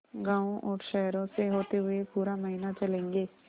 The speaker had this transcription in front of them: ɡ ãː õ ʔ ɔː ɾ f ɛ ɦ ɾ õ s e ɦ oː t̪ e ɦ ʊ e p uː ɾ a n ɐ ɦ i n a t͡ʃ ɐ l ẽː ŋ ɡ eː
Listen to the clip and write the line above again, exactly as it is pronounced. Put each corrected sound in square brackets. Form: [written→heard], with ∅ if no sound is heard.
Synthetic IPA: ɡ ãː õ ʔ ɔː ɾ [f→ʃ] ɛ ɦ ɾ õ s e ɦ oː t̪ e ɦ ʊ e p uː ɾ a [n→m] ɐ ɦ i n a t͡ʃ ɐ l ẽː ŋ ɡ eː